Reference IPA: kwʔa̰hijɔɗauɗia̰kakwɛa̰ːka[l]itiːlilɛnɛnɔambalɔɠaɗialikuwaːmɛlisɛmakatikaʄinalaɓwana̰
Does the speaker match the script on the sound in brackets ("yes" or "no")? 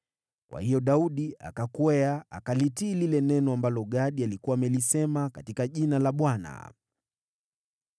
yes